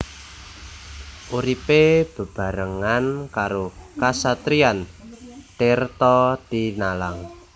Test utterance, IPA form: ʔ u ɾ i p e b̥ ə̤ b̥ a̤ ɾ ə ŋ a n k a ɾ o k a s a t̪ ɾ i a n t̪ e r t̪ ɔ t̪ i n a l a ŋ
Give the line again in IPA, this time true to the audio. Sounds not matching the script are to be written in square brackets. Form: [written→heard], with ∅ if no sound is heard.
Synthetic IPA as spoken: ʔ u ɾ i p e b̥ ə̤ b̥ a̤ ɾ ə ŋ a n k a ɾ o k a s a t̪ ɾ i a n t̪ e r t̪ ɔ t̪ i n a l a ŋ